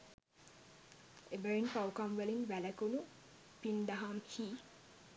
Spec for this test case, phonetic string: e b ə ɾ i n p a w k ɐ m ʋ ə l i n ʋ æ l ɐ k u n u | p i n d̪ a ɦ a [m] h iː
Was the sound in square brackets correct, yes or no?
yes